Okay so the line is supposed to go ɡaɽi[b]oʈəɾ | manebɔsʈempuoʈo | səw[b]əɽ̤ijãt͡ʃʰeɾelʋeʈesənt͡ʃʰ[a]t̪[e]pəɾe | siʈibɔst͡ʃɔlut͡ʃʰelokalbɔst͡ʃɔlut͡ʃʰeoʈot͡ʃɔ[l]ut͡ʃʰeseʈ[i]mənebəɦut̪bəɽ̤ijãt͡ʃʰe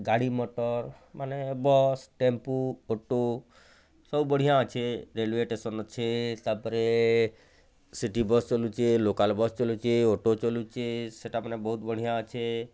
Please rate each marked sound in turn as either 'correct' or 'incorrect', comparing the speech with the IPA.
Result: incorrect: m, correct, incorrect: e, incorrect: a, correct, incorrect: a

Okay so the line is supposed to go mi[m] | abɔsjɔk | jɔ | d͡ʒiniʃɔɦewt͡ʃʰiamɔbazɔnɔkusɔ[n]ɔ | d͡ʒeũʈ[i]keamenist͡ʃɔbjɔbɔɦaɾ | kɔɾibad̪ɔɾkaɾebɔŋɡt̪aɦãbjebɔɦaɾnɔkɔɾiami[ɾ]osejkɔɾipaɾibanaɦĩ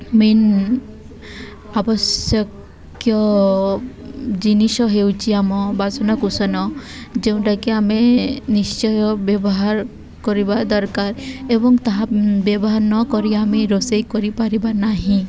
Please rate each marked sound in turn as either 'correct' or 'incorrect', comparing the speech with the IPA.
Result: incorrect: n, correct, incorrect: a, correct

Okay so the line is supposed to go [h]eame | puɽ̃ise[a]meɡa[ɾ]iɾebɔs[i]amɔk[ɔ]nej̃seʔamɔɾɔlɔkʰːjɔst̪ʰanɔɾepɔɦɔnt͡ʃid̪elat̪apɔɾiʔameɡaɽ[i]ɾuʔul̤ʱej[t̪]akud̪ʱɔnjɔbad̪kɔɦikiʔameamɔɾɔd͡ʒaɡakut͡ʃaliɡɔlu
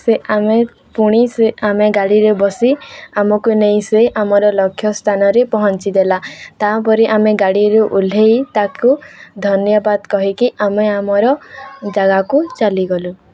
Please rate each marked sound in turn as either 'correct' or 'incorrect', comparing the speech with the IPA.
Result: incorrect: s, correct, incorrect: ɽ, correct, incorrect: u, correct, correct

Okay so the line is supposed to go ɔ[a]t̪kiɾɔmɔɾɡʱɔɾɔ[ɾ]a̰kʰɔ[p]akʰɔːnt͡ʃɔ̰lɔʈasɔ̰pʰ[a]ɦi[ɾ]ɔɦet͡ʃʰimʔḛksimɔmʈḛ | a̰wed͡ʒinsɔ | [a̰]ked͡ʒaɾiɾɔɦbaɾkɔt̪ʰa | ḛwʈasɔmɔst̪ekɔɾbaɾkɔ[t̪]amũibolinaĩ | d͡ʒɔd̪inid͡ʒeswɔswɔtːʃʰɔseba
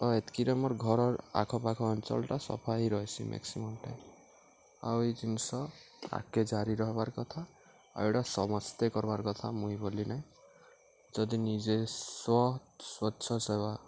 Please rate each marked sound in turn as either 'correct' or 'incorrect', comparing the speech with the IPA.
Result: incorrect: e, correct, correct, correct, correct, correct, incorrect: t̪ʰ

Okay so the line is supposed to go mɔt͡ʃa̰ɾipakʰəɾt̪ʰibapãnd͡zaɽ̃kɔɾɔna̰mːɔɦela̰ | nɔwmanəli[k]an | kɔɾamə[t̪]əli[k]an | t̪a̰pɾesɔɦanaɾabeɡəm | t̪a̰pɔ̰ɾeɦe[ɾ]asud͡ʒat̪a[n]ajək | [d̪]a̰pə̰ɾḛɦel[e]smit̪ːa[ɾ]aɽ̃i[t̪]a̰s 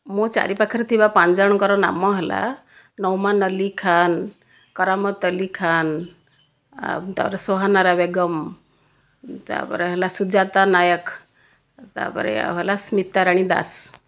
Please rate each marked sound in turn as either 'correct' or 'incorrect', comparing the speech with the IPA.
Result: incorrect: kʰ, correct, incorrect: kʰ, incorrect: l, correct, incorrect: t̪, incorrect: a, correct, incorrect: d̪

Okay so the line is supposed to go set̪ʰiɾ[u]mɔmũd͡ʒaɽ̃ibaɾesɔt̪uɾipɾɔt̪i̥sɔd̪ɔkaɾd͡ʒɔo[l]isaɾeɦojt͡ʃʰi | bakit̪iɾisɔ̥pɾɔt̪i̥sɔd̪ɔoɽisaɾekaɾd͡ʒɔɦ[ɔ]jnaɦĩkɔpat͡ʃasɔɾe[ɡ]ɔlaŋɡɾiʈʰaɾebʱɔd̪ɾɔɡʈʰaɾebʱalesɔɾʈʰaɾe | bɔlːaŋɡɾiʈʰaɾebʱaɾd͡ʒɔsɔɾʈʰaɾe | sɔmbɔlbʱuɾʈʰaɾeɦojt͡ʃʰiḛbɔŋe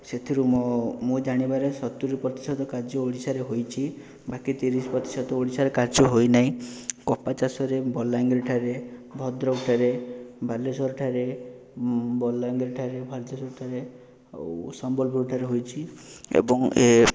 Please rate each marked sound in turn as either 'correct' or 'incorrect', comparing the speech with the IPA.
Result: correct, incorrect: ɽ, incorrect: o, incorrect: b

